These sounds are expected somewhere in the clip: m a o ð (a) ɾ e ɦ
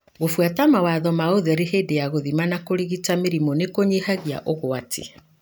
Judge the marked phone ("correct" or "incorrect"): incorrect